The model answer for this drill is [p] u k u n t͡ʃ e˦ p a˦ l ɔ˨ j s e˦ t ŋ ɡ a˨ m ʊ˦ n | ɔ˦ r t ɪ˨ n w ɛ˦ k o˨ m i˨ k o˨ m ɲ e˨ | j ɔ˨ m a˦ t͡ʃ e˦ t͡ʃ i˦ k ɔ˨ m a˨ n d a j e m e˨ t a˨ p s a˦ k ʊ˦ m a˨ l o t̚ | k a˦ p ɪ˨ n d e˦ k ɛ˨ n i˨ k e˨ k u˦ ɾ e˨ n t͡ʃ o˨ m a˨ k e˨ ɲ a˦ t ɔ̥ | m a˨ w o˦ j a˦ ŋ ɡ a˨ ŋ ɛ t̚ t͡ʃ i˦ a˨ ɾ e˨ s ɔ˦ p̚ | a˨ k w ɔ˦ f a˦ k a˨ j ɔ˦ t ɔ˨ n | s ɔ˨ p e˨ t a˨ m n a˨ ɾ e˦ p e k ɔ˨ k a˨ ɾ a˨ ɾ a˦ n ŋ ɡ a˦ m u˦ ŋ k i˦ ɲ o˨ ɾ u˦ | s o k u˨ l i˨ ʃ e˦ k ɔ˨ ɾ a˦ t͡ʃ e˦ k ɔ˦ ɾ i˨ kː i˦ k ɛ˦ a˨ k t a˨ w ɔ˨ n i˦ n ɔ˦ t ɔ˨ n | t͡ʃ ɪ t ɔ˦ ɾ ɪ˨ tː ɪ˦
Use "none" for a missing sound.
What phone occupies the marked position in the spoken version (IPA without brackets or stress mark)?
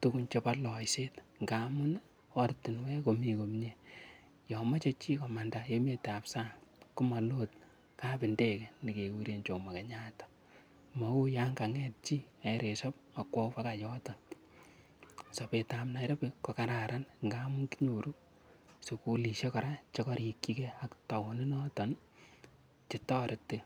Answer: t